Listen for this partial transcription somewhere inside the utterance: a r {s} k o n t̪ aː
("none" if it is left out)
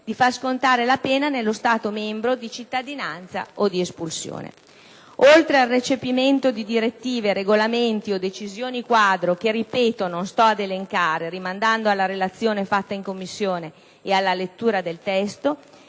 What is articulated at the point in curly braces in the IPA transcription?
s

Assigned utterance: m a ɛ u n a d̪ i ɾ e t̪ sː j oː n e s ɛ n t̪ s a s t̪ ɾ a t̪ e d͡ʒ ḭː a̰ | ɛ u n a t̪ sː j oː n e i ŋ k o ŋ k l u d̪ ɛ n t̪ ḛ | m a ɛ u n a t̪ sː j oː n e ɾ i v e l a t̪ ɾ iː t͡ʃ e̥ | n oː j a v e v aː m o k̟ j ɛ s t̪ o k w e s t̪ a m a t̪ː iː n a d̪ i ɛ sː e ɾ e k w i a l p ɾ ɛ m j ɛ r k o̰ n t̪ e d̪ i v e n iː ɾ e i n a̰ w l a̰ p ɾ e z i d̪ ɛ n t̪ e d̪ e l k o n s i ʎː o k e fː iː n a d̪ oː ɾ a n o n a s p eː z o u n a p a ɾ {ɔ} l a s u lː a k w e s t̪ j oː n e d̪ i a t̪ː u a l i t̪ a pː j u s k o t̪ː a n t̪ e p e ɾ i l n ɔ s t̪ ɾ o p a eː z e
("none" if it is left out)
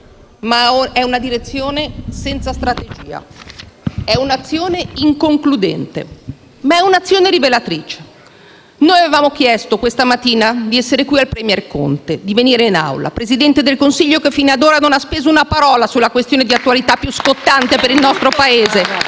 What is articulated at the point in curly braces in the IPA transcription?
ɔː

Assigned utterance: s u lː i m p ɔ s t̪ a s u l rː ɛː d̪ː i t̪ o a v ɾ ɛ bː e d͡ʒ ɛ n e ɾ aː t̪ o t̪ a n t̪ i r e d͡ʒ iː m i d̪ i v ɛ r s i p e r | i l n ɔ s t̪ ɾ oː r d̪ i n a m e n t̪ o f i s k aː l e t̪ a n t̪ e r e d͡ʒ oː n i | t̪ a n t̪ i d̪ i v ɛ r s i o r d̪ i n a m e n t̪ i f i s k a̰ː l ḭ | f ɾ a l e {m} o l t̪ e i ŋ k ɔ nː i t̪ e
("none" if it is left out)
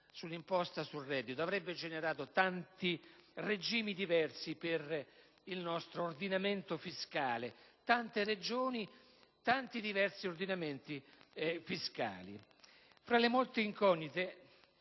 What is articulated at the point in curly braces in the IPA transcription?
m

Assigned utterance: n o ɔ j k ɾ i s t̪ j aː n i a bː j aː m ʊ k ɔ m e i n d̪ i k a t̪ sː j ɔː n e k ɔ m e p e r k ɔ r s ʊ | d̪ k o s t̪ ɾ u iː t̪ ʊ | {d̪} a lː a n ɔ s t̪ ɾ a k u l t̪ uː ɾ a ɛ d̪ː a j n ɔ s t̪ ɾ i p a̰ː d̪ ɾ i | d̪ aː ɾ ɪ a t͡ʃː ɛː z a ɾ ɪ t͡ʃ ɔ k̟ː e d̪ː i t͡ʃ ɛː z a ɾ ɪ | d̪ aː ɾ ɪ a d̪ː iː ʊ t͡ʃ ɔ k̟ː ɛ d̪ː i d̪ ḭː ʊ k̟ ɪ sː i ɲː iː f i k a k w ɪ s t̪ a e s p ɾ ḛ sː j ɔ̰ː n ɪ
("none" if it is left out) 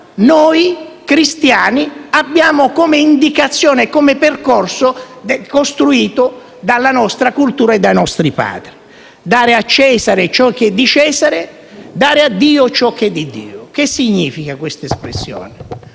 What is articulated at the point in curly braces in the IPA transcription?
d̪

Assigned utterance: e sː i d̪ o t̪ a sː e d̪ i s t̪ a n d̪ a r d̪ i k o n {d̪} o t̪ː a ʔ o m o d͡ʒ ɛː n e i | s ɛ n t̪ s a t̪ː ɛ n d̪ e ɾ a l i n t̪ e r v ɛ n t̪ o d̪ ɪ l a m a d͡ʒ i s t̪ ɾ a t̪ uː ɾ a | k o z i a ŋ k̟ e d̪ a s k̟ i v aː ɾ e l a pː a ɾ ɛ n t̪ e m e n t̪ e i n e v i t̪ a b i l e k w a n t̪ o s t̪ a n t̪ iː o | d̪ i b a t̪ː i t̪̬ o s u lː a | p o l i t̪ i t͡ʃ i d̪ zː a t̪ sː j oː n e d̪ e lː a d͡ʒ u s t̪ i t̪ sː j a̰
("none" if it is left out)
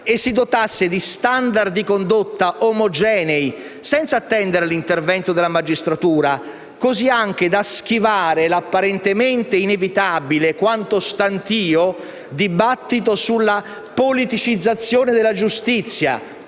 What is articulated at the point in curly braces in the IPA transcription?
d̪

